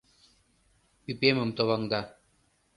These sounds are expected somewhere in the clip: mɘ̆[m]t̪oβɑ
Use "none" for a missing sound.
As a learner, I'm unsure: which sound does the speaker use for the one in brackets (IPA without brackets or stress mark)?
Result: m